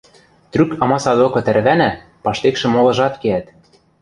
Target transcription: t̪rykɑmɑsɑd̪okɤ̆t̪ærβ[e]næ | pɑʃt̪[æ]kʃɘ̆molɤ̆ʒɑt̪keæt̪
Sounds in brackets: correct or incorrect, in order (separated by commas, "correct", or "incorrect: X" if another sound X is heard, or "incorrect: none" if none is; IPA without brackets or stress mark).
incorrect: æ, incorrect: e